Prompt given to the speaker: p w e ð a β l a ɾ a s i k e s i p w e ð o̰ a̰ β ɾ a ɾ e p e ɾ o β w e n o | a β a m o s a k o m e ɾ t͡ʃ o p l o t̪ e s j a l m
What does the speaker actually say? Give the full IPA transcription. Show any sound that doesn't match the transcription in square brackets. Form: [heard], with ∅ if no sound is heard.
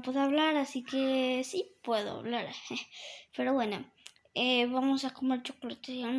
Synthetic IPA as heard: p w e ð a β l a ɾ a s i k e s i p w e ð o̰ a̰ β [l] a ɾ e p e ɾ o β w e n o | [e] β a m o s a k o m e ɾ t͡ʃ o [k] l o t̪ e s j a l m